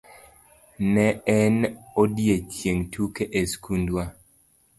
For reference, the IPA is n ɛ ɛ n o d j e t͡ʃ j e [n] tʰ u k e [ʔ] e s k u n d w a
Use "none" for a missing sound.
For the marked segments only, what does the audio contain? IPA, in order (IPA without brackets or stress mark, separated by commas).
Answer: ŋ, ʔ